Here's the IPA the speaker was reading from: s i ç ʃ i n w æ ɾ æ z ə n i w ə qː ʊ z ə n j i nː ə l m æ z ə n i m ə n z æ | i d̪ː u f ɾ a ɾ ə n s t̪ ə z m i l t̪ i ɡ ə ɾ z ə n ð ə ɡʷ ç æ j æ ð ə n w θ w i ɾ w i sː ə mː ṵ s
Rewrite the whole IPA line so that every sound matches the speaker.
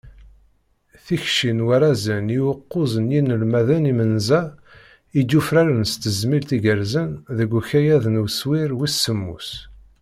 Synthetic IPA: θ i ç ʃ i n w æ ɾ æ z ə n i w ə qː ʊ z ə n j i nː ə l m æ ð ə n i m ə n z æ | i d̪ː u f ɾ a ɾ ə n s t̪ ə z m i l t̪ i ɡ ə ɾ z ə n ð ə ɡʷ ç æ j æ ð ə n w s w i ɾ w i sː ə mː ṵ s

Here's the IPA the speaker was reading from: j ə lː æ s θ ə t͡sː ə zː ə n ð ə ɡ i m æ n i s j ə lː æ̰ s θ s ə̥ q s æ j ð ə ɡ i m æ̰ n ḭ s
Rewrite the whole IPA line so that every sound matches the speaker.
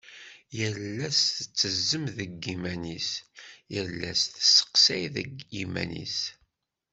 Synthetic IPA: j ə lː æ s θ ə t͡sː ə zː ə m ð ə ɡ i m æ n i s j ə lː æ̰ s θ s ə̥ q s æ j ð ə ɡ i m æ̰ n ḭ s

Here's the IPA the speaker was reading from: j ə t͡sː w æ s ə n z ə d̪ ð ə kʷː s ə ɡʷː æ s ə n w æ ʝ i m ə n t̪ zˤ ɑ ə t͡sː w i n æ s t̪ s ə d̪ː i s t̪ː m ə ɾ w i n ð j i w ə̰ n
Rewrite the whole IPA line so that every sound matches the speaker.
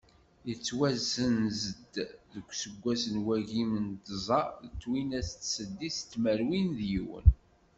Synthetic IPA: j ə t͡sː w æ z ə n z ə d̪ ð ə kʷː s ə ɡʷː æ s ə n w æ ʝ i m ə n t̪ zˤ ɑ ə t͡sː w i n æ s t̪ s ə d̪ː i s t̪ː m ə ɾ w i n ð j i w ə̰ n

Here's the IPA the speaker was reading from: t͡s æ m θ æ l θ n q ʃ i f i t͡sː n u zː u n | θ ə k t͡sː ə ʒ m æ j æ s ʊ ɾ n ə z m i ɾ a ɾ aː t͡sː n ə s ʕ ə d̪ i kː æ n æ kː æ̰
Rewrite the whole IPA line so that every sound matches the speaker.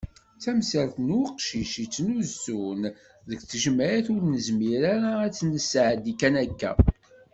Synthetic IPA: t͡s æ m s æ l θ n q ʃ i ʃ i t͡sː n u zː u n | ð ə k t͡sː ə ʒ m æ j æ θ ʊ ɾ n ə z m i ɾ a ɾ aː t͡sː n ə s ʕ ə d̪ i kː æ n æ kː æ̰

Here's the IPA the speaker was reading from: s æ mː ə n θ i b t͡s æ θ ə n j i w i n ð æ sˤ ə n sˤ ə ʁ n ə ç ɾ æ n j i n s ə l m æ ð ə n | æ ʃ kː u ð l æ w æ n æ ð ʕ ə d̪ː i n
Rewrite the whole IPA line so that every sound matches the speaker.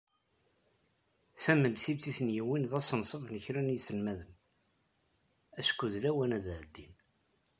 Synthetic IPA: θ æ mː ə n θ i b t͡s i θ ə n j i w i n ð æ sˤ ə n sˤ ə v n ə ç ɾ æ n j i s ə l m æ ð ə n | æ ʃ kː u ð l æ w æ n æ ð ʕ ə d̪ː i n

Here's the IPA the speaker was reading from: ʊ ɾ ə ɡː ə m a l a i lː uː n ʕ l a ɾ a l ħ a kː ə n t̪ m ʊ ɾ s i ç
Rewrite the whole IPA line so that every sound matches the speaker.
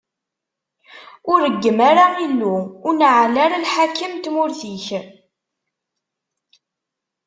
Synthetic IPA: ʊ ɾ ə ɡː ə m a ɾ a i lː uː n ʕ l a ɾ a l ħ a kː ə m t̪ m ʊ ɾ θ i ç

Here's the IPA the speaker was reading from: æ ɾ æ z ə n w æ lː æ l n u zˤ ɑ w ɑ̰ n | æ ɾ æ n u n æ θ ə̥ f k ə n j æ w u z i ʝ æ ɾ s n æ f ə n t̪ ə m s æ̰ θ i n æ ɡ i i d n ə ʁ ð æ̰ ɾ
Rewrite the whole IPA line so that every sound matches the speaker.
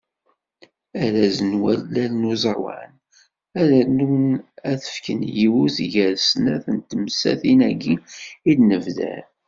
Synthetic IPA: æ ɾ æ z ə n w æ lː æ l n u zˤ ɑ w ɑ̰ n | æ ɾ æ n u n æ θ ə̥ f k ə n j i w u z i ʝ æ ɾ s n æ θ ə n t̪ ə m s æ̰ θ i n æ ɡ i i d n ə v ð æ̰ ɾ

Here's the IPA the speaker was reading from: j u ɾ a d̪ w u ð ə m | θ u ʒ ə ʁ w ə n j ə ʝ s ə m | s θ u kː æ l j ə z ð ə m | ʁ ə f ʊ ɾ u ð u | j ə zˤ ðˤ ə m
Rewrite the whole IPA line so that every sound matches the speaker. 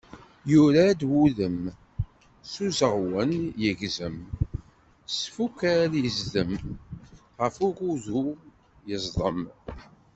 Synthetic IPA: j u ɾ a d̪ w u ð ə m | s u z ə ʁ w ə n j ə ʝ z ə m | s f u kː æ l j ə z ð ə m | ʁ ə f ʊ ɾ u ð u | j ə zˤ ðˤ ə m

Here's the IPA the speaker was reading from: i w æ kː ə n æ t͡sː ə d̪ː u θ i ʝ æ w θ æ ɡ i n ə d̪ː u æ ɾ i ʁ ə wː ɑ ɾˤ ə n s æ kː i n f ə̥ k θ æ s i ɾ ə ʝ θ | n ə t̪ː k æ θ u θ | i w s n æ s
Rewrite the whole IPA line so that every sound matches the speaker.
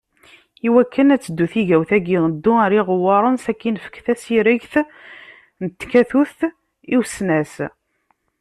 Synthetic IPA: i w æ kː ə n æ t͡sː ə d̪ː u θ i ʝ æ w θ æ ɡ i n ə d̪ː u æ ɾ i ʁ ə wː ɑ ɾˤ ə n s æ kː i n f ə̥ k θ æ s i ɾ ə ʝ θ | n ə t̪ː k æ θ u θ | i w s n æ s

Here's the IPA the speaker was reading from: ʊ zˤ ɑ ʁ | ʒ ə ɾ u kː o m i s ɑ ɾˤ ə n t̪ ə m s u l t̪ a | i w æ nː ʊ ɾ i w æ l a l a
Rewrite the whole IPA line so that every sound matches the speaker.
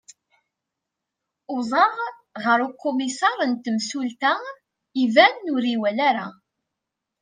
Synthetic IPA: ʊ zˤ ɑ ʁ | ʁ ə ɾ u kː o m i s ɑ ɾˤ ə n t̪ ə m s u l t̪ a | i v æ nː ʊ ɾ i w æ l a ɾ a

